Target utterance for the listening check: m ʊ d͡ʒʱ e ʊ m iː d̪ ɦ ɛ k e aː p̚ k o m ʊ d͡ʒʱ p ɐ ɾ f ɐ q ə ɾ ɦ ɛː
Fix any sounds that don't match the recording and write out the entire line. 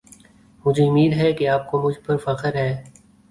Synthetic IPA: m ʊ d͡ʒʱ e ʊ m iː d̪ ɦ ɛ k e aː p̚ k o m ʊ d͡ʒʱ p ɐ ɾ f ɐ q ə ɾ ɦ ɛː